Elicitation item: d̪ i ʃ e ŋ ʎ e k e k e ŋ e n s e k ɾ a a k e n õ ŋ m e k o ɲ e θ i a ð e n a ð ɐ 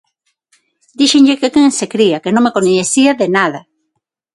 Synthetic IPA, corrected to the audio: d̪ i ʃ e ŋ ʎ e k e k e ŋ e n s e k ɾ i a k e n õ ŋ m e k o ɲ e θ i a ð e n a ð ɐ